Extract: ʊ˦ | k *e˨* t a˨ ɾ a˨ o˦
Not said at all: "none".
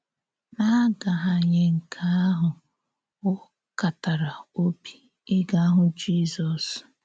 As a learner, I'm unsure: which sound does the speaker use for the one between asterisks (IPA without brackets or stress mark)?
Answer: a˨